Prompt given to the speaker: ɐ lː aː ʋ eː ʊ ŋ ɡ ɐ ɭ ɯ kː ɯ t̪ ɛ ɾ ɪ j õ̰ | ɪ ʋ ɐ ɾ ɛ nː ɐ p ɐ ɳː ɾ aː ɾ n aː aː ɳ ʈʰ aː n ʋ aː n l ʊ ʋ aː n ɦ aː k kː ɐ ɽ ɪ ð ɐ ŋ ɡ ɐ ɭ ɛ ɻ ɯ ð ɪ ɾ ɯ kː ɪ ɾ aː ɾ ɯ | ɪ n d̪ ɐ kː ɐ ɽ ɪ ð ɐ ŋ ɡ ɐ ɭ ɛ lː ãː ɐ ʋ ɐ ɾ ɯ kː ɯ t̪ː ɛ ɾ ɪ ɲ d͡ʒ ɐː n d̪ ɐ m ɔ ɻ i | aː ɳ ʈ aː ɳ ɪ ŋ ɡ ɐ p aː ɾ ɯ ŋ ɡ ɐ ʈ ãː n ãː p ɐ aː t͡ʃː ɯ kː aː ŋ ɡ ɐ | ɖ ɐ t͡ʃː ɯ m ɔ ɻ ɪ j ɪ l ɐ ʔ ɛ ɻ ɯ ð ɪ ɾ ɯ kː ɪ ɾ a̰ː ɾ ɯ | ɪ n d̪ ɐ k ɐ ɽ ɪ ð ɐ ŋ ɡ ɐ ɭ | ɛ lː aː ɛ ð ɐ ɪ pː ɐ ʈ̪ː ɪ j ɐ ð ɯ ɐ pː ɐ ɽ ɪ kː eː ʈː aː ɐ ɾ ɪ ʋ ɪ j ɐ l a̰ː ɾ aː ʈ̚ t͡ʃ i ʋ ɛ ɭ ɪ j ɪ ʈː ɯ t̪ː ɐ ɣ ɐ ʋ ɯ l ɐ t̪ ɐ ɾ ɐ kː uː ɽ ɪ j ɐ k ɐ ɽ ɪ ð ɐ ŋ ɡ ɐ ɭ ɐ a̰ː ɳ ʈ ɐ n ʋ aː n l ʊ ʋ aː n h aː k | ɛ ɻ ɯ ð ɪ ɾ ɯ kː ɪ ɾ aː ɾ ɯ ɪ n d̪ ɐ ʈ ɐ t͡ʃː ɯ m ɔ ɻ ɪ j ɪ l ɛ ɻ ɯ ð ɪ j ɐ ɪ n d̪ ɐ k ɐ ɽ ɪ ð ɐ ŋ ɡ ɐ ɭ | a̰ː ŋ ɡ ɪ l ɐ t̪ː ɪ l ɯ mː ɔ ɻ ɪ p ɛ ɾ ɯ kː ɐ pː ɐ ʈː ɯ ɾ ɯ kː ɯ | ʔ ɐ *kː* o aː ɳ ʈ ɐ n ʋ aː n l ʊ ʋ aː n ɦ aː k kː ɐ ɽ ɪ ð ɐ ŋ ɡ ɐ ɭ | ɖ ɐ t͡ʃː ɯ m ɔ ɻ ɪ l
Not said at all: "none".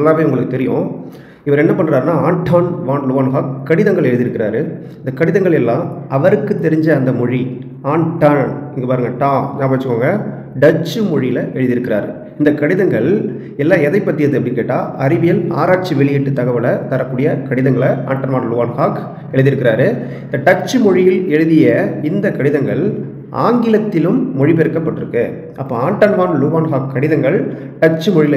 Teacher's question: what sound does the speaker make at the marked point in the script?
pː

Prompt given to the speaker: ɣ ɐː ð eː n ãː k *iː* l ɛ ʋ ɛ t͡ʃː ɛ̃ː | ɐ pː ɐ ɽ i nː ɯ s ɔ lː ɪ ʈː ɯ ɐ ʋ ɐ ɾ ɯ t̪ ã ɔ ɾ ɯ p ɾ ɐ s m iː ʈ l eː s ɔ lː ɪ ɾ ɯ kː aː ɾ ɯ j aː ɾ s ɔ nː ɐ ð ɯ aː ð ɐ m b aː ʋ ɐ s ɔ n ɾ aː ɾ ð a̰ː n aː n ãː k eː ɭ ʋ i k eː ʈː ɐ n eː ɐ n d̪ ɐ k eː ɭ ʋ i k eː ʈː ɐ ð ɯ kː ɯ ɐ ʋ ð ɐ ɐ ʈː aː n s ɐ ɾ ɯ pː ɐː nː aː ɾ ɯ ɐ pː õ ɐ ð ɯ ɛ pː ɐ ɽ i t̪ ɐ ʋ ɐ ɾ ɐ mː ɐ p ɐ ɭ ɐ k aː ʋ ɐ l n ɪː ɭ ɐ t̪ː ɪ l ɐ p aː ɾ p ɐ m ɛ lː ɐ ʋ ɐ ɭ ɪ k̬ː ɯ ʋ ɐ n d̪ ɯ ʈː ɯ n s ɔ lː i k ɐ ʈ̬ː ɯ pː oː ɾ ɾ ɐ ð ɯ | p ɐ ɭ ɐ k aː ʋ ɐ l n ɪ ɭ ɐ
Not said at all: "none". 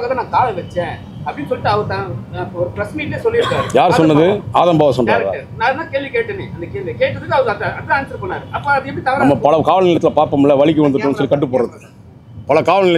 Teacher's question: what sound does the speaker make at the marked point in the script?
aː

